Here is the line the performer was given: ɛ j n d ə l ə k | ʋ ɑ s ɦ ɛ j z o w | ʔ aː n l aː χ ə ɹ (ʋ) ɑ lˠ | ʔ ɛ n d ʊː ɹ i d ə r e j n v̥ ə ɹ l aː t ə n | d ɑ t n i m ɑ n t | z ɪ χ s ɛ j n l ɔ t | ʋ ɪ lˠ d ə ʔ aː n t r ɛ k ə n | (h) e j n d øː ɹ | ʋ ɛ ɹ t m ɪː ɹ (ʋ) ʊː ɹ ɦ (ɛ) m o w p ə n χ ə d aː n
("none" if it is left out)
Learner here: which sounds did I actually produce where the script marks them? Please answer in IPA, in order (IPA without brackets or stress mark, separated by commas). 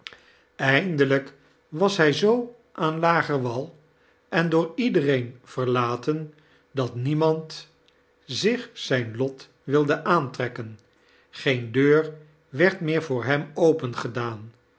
ʋ, χ, v, ɛ